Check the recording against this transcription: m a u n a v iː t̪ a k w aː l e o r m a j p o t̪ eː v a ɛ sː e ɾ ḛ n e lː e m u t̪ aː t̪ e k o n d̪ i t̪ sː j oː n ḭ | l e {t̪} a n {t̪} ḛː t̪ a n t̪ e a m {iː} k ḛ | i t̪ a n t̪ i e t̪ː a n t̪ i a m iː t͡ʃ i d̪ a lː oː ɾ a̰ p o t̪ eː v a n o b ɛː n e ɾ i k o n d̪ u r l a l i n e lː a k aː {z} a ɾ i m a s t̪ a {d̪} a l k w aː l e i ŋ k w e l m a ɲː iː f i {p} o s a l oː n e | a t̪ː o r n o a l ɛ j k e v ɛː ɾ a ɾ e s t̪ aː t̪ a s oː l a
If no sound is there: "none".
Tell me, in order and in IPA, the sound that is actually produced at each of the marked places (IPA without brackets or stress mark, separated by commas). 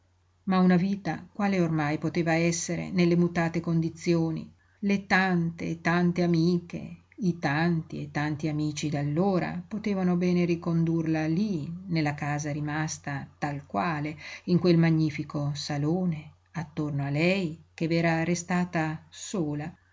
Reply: t̪, t̪, iː, z, t̪, k